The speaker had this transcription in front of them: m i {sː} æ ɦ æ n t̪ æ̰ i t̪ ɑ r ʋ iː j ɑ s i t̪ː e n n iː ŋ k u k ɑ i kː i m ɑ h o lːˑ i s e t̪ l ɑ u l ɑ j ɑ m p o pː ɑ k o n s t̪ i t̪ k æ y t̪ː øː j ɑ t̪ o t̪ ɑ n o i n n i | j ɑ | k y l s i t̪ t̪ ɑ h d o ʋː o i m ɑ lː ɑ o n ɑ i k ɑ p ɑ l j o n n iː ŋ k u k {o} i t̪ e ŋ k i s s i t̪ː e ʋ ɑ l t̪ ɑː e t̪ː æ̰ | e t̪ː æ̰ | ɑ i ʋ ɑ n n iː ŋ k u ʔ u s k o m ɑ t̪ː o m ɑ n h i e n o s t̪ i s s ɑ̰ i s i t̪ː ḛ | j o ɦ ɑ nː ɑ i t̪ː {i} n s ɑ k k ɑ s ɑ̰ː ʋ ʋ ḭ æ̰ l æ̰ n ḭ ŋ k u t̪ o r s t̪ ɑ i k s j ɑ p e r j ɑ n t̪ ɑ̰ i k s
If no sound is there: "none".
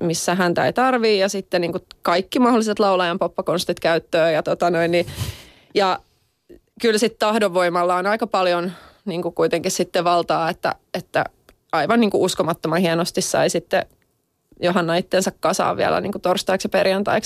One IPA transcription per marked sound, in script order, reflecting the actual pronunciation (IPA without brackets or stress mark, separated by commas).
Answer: sː, u, e